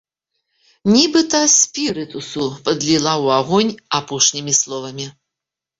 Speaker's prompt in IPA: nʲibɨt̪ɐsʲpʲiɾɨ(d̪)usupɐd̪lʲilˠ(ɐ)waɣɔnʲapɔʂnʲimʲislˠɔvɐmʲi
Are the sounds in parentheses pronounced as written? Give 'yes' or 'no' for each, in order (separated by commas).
no, no